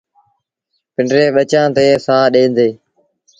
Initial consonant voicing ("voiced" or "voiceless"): voiceless